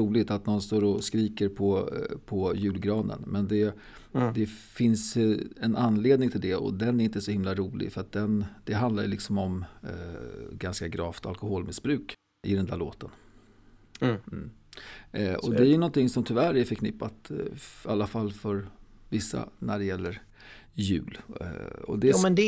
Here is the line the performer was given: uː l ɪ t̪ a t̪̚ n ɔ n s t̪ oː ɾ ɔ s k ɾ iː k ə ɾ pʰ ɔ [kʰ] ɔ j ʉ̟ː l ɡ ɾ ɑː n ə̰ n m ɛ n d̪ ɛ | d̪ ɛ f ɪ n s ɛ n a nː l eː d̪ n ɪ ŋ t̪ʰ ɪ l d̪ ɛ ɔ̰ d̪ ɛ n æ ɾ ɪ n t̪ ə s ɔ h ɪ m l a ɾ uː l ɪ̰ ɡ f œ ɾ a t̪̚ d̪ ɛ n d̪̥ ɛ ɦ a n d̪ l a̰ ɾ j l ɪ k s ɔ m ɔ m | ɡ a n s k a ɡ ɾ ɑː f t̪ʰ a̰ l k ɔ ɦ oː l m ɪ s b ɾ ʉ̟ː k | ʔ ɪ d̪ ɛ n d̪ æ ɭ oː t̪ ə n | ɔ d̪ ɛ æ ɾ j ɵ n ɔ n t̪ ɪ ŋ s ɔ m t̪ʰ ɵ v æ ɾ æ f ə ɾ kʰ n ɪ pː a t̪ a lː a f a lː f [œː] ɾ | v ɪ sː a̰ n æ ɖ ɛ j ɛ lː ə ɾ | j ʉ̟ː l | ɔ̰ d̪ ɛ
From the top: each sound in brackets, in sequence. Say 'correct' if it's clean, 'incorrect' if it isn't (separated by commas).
incorrect, incorrect